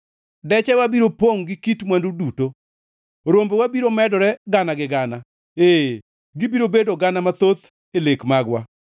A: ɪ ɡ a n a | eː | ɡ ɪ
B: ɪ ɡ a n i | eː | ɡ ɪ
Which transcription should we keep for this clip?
A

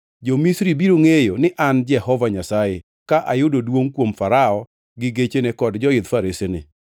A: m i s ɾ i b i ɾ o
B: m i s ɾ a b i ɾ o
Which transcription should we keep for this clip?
A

